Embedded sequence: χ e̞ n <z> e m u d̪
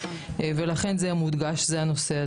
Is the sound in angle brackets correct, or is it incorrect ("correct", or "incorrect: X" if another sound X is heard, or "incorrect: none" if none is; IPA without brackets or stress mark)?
correct